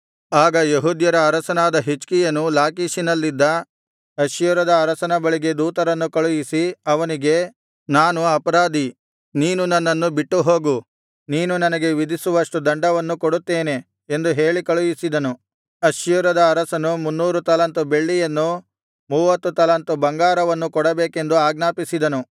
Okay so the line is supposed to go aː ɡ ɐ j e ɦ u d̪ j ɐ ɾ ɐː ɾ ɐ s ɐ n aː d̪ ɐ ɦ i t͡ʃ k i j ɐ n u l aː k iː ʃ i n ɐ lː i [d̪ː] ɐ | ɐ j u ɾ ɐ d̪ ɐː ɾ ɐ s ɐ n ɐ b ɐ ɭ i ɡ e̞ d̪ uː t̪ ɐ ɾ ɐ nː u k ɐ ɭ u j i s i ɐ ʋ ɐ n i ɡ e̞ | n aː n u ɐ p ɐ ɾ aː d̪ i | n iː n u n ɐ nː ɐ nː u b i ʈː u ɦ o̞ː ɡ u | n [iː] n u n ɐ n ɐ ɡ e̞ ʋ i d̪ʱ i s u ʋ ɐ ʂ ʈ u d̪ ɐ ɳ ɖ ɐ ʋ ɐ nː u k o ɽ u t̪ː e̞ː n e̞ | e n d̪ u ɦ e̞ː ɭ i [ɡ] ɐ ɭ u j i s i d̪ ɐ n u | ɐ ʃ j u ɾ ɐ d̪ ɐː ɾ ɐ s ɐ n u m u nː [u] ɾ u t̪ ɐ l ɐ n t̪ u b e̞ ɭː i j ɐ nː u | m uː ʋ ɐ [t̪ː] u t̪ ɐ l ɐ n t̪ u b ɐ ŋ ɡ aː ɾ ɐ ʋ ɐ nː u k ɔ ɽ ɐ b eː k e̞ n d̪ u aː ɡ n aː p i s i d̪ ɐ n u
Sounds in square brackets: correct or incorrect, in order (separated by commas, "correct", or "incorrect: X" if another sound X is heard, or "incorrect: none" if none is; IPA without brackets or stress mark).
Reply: correct, correct, incorrect: k, incorrect: uː, correct